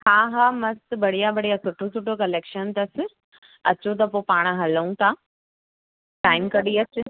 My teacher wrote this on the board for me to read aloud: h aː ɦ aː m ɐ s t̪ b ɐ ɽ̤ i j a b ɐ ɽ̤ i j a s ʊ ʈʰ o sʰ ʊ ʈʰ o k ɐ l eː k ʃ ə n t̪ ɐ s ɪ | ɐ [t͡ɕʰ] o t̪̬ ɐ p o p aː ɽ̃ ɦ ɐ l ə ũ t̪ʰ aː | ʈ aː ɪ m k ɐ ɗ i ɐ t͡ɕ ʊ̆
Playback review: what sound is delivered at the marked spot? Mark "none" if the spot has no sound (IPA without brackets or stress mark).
t͡ɕ